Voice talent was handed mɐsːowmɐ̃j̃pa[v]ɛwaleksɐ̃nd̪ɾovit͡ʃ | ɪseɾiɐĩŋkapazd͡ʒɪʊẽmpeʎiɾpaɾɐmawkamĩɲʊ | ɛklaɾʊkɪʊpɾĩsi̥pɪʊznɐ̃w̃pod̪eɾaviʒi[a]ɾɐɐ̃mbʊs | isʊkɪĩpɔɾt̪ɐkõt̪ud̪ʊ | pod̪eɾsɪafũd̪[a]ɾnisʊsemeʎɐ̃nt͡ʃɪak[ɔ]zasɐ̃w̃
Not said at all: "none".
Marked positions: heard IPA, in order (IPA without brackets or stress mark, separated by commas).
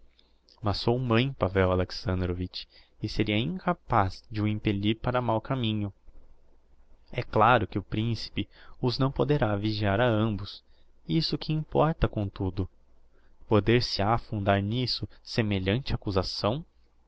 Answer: v, a, a, u